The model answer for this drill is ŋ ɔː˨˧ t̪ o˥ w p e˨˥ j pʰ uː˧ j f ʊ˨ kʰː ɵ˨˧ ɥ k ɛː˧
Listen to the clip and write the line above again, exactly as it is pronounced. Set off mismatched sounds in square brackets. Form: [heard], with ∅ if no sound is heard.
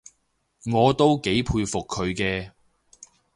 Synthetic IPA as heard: ŋ ɔː˨˧ t̪ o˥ w [k] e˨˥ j pʰ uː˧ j f ʊ˨ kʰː ɵ˨˧ ɥ k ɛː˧

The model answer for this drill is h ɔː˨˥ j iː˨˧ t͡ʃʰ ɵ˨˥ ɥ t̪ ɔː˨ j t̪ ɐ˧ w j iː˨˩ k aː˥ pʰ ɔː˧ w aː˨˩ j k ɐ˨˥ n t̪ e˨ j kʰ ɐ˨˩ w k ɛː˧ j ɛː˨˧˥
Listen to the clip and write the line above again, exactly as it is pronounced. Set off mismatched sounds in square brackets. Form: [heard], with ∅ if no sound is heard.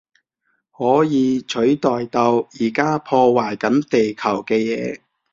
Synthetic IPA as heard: h ɔː˨˥ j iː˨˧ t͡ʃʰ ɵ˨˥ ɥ t̪ ɔː˨ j t̪ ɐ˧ w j iː˨˩ k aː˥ pʰ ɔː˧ w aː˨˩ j k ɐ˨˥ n t̪ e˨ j kʰ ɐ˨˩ w k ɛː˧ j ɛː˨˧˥

